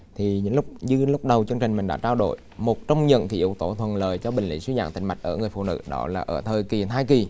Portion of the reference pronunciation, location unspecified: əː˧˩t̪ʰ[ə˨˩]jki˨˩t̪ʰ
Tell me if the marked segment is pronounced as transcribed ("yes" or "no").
no